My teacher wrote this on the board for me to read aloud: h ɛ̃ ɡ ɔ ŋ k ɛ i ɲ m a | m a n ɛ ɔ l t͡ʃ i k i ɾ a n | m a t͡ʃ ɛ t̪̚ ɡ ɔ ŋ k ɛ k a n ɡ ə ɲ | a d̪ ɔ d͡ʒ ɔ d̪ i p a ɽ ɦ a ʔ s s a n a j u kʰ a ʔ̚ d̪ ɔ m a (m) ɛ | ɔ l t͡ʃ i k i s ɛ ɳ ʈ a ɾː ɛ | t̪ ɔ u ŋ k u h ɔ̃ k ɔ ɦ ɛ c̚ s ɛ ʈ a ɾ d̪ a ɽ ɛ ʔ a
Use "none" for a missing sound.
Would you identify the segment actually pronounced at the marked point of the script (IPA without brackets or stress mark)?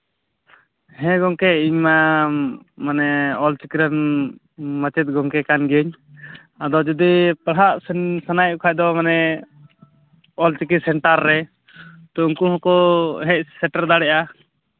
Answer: n